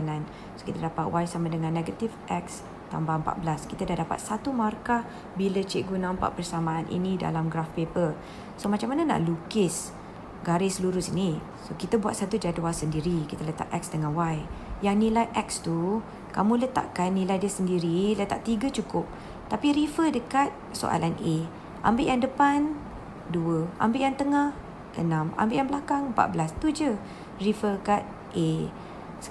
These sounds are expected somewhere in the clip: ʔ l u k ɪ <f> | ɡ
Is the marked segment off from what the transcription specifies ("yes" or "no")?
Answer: yes